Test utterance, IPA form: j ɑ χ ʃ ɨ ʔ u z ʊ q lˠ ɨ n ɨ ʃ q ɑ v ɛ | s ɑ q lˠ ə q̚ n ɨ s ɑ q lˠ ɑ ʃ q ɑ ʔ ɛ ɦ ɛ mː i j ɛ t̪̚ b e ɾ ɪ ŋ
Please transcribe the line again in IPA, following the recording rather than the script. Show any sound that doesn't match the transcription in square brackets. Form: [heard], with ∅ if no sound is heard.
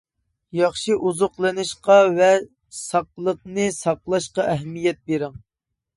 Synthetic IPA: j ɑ χ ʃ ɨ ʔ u z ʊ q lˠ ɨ n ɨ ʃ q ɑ v ɛ | s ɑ q lˠ ə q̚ n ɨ s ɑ q lˠ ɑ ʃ q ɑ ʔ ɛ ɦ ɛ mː i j ɛ t̪̚ b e ɾ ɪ ŋ